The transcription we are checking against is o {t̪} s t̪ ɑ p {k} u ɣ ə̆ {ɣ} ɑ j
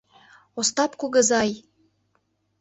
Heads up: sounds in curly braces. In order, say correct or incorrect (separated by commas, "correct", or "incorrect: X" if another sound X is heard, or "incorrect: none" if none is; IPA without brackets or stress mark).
incorrect: none, correct, incorrect: z